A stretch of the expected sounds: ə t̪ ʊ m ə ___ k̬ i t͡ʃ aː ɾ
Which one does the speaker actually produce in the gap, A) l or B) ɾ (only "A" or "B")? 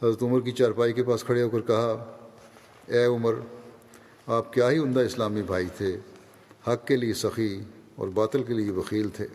B